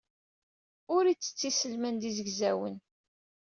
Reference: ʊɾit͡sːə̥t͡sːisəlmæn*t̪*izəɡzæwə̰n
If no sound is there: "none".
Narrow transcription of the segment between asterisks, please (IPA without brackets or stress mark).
d̪